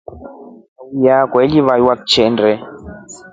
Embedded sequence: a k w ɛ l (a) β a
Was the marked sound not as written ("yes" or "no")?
yes